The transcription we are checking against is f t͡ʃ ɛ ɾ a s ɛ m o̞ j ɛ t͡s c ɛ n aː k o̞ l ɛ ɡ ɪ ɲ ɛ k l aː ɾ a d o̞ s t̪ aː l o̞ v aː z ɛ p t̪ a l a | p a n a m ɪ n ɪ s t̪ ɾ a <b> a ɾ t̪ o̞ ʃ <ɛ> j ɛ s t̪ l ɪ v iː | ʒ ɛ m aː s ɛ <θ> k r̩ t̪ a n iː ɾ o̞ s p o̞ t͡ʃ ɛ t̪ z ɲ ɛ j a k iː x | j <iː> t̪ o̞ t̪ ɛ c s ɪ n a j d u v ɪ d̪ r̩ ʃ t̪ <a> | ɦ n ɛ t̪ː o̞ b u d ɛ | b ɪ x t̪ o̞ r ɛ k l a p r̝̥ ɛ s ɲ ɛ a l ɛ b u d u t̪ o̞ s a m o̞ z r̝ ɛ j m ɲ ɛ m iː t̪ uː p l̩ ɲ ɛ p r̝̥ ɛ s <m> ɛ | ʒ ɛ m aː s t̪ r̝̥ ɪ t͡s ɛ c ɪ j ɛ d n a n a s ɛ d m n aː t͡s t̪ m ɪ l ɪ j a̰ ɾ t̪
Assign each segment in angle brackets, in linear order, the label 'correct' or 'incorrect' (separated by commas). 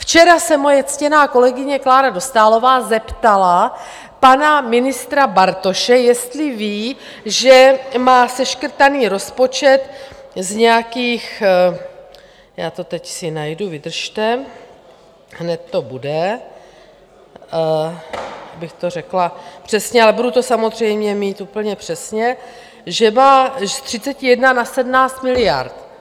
correct, correct, incorrect, incorrect, incorrect, incorrect